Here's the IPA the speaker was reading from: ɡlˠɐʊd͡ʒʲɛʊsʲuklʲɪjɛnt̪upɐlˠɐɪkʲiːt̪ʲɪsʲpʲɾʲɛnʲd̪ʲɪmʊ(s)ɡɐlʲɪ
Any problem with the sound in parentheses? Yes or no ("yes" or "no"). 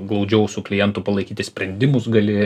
no